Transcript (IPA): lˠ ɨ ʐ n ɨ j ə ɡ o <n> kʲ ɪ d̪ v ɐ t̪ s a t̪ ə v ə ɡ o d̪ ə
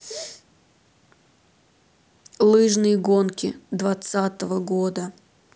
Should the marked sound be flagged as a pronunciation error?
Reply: no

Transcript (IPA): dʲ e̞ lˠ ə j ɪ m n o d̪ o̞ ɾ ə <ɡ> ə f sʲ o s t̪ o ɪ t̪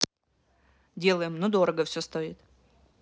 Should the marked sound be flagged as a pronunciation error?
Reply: no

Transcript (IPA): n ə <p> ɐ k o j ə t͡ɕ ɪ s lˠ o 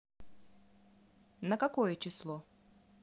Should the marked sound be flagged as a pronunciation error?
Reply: yes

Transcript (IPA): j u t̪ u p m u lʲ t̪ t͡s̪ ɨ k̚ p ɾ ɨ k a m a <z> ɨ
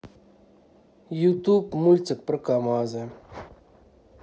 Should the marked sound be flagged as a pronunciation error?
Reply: no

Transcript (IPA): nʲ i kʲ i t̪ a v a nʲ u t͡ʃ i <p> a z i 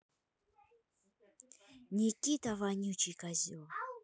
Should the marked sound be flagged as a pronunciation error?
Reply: yes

